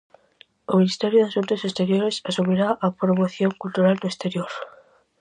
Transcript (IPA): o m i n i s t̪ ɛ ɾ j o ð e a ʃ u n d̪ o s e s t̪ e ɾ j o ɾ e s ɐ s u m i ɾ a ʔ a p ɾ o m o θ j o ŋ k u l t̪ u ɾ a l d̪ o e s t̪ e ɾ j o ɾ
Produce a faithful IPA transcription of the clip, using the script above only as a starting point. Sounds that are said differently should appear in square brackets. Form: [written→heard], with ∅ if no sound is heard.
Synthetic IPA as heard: o m i n i s t̪ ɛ ɾ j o ð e a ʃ u n [d̪→t̪] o s e s t̪ e ɾ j o ɾ e s [ɐ→a] s u m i ɾ a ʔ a p ɾ o m o θ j o ŋ k u l t̪ u ɾ a l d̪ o e s t̪ e ɾ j o ɾ